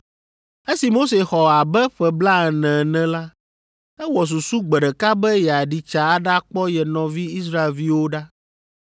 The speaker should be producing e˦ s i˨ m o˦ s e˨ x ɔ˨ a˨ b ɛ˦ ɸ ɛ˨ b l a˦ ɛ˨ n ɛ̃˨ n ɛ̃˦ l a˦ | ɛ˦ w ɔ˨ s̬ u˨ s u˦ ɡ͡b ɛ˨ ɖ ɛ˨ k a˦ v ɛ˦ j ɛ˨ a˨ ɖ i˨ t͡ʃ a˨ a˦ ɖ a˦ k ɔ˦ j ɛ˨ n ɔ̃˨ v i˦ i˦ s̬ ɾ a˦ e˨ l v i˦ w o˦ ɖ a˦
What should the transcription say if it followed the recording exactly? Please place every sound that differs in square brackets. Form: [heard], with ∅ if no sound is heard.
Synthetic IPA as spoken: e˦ s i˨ m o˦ s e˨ x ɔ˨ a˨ b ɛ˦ ɸ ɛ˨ b l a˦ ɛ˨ n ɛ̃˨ n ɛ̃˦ l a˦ | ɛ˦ w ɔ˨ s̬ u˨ s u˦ ɡ͡b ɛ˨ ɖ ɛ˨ k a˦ [b] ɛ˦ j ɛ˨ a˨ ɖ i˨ t͡ʃ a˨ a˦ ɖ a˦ [k͡p] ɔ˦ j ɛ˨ n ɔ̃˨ v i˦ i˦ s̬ ɾ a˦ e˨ l v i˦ w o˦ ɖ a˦